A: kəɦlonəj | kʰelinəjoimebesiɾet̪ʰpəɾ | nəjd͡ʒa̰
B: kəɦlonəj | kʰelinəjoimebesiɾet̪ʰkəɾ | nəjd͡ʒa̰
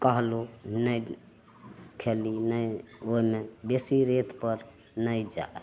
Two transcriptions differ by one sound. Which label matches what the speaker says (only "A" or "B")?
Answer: A